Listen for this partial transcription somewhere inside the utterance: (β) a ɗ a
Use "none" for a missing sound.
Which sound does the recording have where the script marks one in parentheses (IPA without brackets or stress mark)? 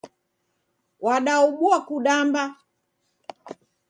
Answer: w